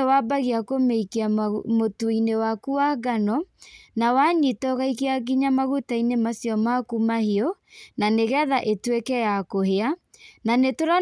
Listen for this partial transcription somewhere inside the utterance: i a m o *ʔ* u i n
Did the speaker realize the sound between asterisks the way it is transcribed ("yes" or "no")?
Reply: no